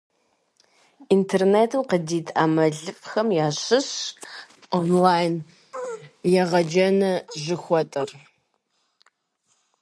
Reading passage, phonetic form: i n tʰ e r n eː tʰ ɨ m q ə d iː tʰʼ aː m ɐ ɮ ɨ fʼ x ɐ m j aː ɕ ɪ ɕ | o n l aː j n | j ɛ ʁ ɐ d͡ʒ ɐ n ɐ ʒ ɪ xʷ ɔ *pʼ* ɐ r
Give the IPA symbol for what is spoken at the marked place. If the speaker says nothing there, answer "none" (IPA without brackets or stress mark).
tʼ